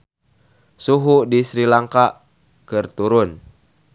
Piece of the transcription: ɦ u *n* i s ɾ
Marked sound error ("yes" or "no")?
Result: yes